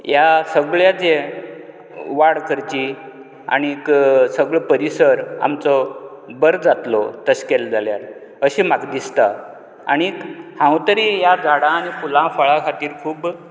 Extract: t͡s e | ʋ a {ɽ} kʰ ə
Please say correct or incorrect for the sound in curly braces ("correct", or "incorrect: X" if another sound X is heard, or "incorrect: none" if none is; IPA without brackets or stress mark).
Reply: correct